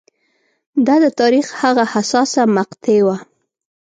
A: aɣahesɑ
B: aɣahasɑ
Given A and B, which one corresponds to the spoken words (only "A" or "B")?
B